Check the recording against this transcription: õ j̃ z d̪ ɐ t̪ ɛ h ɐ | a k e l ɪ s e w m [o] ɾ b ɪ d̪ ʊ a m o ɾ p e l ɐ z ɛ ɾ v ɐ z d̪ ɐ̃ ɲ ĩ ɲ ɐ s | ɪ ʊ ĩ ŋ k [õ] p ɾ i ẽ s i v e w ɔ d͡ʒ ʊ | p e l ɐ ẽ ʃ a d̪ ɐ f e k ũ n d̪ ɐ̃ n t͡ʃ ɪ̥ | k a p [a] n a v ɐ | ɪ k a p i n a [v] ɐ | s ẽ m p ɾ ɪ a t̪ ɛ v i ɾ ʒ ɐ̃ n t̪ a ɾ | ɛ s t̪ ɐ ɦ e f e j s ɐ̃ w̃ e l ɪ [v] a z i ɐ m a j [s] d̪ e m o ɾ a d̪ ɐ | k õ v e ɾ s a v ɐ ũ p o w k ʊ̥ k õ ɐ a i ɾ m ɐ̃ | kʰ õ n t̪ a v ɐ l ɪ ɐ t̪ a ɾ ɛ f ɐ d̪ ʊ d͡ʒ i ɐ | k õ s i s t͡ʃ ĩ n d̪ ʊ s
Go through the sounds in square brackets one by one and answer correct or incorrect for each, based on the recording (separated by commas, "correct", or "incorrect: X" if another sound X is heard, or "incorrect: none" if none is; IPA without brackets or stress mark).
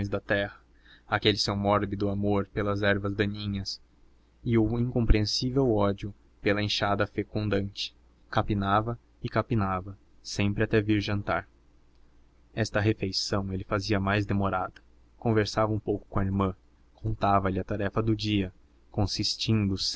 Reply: incorrect: ɔ, correct, incorrect: i, correct, incorrect: f, incorrect: z